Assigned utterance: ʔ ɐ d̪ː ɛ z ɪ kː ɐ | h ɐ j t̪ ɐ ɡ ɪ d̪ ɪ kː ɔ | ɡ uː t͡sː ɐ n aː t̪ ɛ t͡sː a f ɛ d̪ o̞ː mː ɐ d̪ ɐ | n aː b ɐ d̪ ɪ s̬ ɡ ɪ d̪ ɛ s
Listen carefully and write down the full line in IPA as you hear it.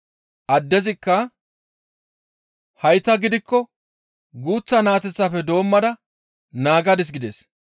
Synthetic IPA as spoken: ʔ ɐ d̪ː ɛ z ɪ kː ɐ | h ɐ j t̪ ɐ ɡ ɪ d̪ ɪ kː ɔ | ɡ uː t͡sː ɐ n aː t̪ ɛ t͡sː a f ɛ d̪ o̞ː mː ɐ d̪ ɐ | n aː ɡ ɐ d̪ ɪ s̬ ɡ ɪ d̪ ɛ s